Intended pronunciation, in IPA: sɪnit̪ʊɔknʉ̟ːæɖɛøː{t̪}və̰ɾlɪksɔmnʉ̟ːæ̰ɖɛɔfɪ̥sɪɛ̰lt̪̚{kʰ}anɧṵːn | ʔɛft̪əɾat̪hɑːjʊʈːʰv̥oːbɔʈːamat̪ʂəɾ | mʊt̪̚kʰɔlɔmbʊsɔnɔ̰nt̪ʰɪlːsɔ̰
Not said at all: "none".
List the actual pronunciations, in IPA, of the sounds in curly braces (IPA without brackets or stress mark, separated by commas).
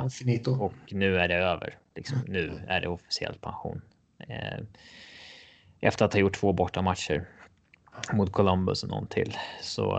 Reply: none, pʰ